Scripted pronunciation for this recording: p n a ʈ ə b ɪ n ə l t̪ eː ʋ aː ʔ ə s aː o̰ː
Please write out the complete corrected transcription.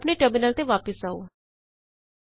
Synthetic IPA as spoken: p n e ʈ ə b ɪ n ə l t̪ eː ʋ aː p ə s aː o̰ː